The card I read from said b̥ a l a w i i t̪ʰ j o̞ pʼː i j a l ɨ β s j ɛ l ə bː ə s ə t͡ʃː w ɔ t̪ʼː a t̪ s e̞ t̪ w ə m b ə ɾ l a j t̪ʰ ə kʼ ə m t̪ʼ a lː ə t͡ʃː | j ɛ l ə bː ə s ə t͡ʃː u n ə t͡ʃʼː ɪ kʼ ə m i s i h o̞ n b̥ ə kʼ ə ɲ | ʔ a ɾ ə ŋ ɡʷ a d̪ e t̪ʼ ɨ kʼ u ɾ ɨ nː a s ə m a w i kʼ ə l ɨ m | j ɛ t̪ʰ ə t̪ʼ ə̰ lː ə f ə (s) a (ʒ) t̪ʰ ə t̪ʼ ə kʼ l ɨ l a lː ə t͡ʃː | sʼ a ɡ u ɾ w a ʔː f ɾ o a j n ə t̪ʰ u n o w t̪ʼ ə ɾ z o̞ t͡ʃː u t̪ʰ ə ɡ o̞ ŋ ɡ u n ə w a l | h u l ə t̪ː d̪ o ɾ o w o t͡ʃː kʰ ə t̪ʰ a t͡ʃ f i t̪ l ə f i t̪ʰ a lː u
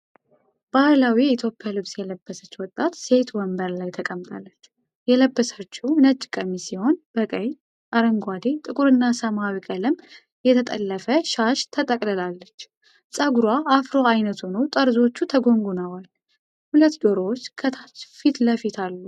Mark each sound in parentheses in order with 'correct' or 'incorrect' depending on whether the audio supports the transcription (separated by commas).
incorrect, incorrect